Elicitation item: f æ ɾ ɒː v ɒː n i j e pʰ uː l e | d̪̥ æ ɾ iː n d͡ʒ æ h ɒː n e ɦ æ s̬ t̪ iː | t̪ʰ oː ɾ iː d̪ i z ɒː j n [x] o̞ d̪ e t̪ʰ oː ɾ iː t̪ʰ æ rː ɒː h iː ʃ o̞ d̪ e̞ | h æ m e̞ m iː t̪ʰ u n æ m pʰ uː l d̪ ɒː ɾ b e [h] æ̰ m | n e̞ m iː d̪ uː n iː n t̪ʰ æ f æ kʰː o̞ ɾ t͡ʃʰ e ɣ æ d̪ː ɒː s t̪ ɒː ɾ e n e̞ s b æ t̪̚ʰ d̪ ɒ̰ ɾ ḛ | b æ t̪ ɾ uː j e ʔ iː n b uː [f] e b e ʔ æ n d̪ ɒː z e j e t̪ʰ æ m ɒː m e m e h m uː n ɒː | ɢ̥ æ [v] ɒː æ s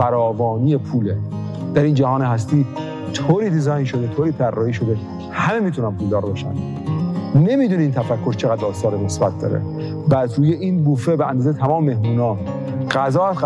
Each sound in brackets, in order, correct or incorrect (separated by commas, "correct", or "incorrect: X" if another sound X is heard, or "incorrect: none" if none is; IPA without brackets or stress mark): incorrect: ʃ, incorrect: ʃ, correct, incorrect: z